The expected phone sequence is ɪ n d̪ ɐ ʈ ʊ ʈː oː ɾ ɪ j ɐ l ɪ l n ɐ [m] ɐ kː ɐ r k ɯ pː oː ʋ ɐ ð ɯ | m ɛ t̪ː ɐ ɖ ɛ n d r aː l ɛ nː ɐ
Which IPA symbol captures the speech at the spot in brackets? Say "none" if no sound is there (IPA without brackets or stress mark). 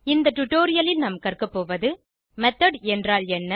m